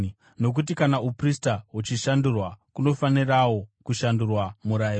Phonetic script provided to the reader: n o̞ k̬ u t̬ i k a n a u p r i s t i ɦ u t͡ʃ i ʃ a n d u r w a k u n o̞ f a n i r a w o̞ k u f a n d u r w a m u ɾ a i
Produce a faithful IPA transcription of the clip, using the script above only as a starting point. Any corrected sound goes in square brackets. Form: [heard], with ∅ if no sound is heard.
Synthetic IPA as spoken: n o̞ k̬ u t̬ i k a n a u p r i s t [a] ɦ u t͡ʃ i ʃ a n d u r w a k u n o̞ f a n i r a w o̞ k u [ʃ] a n d u r w a m u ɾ a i